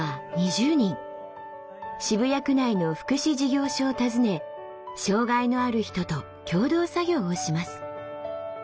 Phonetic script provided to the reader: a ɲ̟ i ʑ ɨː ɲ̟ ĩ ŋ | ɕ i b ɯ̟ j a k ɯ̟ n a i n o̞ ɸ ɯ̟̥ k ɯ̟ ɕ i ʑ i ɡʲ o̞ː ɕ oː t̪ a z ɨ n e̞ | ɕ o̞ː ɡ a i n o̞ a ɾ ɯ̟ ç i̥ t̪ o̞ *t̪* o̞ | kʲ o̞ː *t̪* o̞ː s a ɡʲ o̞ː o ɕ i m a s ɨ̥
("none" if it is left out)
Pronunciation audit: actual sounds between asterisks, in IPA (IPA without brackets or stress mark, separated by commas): t̪, d̪